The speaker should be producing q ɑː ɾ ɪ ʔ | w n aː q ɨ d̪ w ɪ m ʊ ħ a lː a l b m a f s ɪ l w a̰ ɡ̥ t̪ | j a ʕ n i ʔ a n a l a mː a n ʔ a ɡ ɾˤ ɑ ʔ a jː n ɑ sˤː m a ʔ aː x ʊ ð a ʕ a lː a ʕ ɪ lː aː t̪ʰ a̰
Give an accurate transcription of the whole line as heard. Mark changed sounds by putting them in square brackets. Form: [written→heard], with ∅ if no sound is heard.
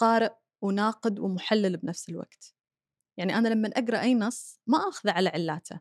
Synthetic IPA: q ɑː ɾ ɪ ʔ | w n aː q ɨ d̪ w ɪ m ʊ ħ a lː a l b [m→n] a f s ɪ l w a̰ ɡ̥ t̪ | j a ʕ n i ʔ a n a l a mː a n ʔ a ɡ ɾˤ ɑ ʔ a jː n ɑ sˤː m a ʔ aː x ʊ ð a ʕ a [lː→l] a ʕ ɪ lː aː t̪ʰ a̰